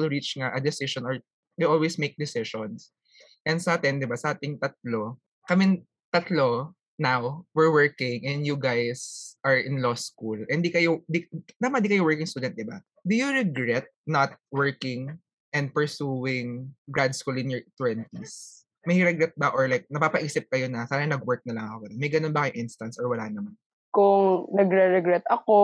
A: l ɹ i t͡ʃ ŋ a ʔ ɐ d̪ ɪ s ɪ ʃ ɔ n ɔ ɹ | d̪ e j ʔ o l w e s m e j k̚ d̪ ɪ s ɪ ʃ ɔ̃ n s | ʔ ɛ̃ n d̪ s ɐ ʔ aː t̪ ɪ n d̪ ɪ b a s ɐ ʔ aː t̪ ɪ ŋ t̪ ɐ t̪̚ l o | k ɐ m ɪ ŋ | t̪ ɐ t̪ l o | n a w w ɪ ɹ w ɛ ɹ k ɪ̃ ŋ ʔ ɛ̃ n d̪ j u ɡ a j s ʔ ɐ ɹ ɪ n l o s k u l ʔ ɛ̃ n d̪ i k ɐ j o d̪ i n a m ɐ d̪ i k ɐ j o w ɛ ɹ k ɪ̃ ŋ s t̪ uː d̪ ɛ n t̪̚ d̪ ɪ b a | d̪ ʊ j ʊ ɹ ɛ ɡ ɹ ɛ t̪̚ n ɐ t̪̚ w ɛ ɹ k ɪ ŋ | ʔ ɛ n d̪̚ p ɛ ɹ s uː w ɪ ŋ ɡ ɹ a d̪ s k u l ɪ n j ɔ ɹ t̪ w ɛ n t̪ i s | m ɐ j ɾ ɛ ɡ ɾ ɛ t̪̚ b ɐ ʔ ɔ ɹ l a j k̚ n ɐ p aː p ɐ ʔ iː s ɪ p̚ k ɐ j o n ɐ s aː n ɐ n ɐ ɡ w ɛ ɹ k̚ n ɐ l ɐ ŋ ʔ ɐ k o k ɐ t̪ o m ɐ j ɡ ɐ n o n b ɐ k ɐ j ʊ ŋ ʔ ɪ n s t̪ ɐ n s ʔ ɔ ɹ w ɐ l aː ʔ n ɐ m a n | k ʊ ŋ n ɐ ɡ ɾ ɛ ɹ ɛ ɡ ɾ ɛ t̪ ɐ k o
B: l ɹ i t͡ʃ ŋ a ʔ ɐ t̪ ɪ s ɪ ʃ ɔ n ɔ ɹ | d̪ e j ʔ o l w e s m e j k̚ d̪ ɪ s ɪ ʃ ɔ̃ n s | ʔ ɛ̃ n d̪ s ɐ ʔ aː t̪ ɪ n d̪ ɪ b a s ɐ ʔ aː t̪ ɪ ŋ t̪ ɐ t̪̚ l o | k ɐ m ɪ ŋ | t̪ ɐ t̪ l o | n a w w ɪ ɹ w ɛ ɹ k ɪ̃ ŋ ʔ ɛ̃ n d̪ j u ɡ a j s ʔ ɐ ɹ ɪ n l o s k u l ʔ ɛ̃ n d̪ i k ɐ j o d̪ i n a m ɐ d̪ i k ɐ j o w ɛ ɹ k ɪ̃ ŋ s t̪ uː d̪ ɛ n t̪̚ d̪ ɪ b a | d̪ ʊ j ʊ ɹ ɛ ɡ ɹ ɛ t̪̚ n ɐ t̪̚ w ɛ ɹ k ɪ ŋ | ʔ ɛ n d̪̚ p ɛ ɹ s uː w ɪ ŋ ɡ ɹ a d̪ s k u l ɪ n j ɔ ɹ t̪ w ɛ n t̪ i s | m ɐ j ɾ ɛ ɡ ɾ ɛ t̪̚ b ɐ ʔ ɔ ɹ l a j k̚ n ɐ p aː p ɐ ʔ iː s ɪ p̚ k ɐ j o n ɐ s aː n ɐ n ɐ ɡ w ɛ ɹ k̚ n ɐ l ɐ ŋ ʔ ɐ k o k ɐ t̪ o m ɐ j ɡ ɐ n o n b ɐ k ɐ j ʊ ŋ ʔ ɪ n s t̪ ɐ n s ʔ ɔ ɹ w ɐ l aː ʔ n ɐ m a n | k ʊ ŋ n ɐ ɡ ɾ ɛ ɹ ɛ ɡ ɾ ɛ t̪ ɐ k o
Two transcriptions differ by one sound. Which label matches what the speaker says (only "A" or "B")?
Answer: A